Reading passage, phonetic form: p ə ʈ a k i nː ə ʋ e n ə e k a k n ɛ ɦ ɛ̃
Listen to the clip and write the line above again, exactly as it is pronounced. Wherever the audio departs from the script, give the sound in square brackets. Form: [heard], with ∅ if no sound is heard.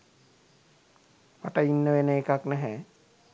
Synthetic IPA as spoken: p [a] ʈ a [∅] i nː ə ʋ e n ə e k a k n ɛ ɦ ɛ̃